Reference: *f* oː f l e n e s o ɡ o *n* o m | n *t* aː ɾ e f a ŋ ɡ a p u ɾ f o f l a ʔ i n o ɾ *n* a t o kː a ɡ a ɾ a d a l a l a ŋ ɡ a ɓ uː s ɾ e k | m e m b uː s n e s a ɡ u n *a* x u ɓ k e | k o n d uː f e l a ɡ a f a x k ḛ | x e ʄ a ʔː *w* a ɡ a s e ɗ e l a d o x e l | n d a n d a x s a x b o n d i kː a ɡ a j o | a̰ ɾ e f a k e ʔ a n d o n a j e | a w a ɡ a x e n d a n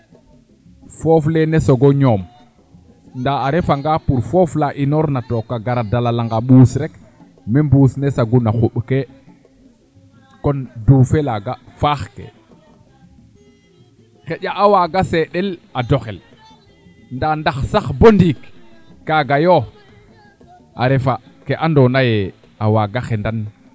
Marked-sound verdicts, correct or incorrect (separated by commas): correct, incorrect, incorrect, correct, correct, correct